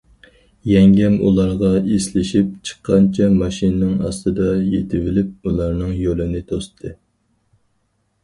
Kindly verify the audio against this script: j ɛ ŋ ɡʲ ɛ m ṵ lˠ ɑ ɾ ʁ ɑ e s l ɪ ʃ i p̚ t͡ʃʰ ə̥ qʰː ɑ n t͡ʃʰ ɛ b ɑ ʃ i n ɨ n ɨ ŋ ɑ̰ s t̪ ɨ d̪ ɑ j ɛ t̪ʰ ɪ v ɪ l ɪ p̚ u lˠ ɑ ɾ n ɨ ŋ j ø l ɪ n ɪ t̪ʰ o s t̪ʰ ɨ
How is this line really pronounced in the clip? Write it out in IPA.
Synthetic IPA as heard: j ɛ ŋ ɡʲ ɛ m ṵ lˠ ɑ ɾ ʁ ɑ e s l ɪ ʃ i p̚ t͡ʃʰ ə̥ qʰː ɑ n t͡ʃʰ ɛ m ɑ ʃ i n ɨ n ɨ ŋ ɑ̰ s t̪ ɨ d̪ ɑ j e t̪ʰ ɪ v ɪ l ɪ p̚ u lˠ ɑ ɾ n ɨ ŋ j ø l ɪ n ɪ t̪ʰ o s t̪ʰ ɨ